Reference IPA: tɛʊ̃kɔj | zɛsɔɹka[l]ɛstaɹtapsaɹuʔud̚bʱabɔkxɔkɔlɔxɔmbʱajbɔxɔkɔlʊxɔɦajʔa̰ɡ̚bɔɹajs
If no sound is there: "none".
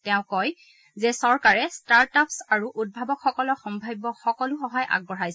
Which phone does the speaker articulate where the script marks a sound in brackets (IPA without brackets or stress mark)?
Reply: ɹ